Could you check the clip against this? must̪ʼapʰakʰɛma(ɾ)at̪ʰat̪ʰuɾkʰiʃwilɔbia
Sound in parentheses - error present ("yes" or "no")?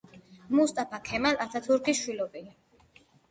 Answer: yes